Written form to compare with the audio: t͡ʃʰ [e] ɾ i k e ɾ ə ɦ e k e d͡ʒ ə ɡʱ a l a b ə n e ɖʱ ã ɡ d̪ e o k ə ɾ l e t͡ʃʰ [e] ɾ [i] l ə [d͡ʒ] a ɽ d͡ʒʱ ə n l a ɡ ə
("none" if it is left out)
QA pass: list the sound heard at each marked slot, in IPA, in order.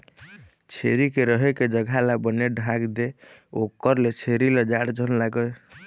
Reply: e, e, i, d͡ʒ

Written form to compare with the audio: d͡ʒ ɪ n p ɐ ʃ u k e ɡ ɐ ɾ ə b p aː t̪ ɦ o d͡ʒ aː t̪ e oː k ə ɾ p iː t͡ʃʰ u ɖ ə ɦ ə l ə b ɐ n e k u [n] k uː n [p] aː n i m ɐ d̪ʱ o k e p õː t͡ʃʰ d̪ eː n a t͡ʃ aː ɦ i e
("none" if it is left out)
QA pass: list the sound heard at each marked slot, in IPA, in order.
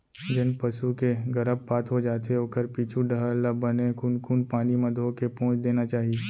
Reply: n, p

